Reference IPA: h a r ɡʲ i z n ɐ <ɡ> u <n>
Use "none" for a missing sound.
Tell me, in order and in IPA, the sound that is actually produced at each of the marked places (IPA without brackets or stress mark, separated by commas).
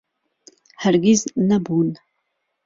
b, n